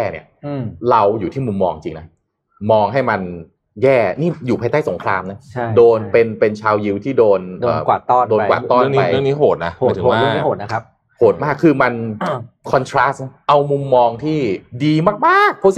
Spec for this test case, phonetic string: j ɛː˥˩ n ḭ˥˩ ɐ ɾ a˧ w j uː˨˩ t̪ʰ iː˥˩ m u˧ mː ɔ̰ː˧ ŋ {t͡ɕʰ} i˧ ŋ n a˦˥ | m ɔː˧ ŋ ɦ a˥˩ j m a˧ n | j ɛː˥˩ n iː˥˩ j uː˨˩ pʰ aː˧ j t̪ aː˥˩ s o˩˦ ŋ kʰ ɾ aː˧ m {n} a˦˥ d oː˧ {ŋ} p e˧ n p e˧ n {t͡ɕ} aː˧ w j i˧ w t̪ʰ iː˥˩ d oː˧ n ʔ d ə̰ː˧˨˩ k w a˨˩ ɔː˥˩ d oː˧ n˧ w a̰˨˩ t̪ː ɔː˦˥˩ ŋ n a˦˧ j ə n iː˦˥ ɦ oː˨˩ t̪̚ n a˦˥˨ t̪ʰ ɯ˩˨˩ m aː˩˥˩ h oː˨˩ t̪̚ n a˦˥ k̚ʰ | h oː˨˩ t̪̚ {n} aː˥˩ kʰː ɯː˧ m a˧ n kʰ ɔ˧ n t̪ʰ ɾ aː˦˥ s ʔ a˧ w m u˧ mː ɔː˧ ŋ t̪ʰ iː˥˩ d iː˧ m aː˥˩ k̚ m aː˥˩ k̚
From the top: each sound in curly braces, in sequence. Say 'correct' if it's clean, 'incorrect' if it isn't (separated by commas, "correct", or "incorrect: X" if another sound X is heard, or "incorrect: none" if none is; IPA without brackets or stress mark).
incorrect: t͡ɕ, correct, incorrect: n, incorrect: t͡ɕʰ, incorrect: m